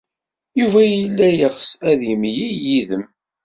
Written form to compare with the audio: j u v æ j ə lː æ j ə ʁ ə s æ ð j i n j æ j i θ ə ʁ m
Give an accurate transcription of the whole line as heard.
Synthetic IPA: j u v æ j ə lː æ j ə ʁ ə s æ ð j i m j i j i ð ə m